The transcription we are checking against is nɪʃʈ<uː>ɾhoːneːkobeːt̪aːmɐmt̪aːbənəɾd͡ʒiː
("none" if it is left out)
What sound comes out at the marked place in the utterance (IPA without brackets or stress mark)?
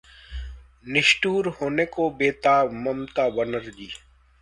uː